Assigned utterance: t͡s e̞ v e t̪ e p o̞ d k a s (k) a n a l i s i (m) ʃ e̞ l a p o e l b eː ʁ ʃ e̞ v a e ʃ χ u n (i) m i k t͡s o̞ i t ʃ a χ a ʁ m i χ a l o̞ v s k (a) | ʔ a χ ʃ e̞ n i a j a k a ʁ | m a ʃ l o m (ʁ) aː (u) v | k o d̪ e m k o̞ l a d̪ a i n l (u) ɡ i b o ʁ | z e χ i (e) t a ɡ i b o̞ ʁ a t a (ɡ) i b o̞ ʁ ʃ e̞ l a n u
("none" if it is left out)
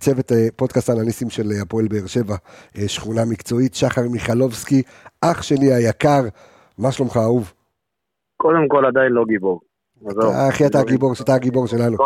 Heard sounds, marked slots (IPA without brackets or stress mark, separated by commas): t, m, a, i, χ, u, o, a, ɡ